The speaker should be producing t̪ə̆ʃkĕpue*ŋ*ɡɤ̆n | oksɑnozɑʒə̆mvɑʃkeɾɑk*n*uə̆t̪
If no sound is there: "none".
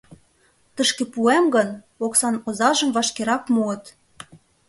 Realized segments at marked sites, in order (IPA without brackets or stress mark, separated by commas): m, m